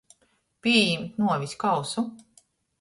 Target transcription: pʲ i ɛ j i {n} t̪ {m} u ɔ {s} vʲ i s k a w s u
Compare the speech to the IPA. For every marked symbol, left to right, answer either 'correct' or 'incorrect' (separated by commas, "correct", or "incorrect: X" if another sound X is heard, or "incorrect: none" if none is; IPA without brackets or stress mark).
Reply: incorrect: m, incorrect: n, incorrect: none